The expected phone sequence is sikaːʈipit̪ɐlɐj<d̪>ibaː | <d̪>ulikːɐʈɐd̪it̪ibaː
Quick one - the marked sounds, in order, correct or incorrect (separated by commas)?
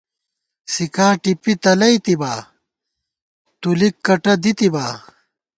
incorrect, incorrect